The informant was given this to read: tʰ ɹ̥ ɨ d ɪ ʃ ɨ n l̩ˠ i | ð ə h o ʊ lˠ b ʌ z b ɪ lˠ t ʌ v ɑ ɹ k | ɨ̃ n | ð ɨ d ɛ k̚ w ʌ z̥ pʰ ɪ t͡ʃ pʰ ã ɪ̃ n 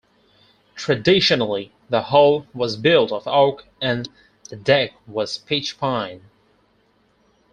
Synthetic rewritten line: tʰ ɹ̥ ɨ d ɪ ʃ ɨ n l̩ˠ i | ð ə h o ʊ lˠ w ʌ z b ɪ lˠ t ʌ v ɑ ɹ k | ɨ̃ n | ð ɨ d ɛ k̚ w ʌ z̥ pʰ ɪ t͡ʃ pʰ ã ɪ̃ n